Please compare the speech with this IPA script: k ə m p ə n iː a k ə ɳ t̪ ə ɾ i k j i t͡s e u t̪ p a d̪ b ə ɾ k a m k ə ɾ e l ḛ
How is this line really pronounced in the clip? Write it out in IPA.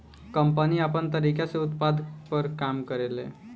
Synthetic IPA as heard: k ə m p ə n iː a p ə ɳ t̪ ə ɾ i k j a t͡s e u t̪ p a d̪ p ə ɾ k a m k ə ɾ e l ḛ